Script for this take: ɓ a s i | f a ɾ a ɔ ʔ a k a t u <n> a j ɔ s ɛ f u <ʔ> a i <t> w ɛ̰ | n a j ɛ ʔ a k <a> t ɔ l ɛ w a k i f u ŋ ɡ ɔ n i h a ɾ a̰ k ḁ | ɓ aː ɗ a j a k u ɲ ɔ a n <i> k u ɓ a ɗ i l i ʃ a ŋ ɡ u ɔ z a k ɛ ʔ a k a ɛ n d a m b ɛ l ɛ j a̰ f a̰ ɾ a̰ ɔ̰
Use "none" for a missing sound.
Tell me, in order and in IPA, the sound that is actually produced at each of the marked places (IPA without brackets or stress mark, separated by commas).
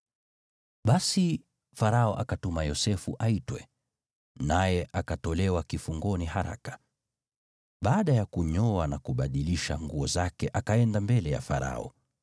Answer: m, ʔ, t, a, a